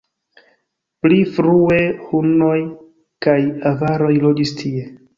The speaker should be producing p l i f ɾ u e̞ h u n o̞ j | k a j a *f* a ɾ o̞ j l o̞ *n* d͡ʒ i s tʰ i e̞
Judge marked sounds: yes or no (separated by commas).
no, no